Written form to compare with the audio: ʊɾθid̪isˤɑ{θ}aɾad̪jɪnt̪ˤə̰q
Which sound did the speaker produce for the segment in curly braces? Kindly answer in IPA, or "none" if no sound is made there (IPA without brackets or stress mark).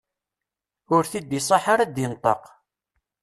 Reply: ħ